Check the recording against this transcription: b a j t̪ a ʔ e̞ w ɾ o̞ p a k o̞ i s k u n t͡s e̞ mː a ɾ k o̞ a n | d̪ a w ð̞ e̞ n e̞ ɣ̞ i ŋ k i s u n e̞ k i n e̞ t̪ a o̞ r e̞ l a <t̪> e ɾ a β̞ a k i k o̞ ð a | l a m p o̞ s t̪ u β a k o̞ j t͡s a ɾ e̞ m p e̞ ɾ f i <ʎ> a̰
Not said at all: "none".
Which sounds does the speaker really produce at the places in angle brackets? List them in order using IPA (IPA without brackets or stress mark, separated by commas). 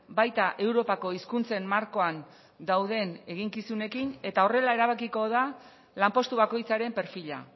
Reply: none, ʎ